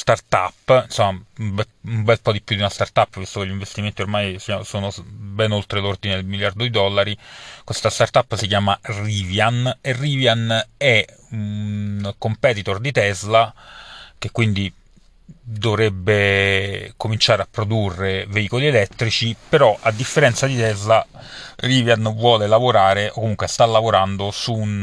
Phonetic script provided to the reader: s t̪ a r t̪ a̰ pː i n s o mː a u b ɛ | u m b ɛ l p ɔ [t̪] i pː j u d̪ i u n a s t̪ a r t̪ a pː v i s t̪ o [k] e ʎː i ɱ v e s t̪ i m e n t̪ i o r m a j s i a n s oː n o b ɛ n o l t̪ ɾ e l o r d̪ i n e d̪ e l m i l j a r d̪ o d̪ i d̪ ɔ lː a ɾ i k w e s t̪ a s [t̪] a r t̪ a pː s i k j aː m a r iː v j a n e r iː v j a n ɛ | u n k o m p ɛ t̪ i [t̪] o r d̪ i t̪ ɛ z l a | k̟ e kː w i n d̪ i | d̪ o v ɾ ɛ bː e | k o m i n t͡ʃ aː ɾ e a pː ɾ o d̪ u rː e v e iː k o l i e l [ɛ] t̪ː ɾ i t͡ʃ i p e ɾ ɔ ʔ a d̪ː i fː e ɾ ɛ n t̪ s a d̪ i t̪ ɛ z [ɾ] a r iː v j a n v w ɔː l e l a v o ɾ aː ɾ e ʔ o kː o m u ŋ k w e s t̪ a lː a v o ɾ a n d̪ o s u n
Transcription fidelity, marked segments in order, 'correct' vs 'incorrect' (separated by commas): incorrect, correct, correct, correct, correct, incorrect